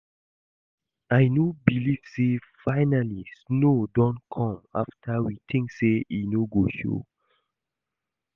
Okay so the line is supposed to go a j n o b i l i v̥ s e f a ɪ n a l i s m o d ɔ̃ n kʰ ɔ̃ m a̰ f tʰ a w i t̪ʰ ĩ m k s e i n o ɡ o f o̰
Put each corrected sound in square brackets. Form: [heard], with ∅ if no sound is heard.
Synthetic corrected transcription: a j n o b i l i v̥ s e f a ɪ n a l i s [n] o d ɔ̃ n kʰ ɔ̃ m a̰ f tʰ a w i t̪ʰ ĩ [ŋ] k s e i n o ɡ o [ʃ] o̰